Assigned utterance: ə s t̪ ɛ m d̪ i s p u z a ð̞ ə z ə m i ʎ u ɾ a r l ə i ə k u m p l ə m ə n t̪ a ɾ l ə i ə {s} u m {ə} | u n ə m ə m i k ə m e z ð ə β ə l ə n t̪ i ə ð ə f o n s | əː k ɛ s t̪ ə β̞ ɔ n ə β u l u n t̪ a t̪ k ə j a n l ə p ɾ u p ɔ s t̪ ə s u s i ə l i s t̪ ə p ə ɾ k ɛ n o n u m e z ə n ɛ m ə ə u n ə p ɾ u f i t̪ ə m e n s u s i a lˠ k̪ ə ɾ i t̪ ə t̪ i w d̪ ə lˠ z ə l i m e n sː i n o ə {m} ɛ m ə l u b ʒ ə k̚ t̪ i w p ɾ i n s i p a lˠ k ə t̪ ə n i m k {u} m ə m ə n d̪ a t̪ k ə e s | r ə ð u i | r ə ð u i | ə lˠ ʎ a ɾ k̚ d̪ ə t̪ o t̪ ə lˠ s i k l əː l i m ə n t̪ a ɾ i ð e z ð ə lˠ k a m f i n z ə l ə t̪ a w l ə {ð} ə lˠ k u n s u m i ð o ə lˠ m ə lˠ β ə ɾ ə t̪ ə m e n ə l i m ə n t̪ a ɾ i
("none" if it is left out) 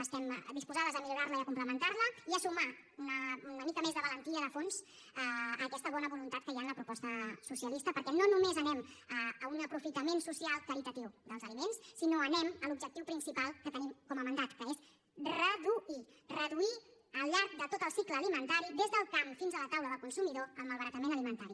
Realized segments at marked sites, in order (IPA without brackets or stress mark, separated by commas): s, a, n, ɔ, ð